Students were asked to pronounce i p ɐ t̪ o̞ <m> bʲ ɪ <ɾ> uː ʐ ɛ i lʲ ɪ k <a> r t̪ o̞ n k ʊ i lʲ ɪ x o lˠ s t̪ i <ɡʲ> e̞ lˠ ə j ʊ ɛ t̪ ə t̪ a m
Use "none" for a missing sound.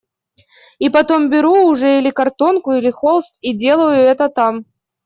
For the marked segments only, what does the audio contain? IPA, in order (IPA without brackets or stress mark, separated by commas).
m, ɾ, ɐ, dʲ